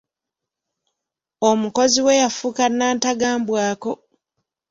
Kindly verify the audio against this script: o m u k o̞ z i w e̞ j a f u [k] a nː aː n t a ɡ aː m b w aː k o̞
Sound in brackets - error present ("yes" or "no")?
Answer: no